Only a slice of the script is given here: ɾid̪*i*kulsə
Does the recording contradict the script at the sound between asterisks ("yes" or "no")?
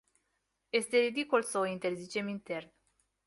no